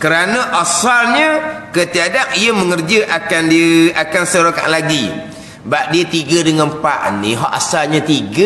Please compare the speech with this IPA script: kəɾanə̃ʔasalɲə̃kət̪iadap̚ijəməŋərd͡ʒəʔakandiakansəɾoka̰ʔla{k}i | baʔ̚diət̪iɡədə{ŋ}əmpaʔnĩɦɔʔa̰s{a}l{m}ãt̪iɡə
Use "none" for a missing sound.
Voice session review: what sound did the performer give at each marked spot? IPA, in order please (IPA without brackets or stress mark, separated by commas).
ɡ, ŋ, a, ɲ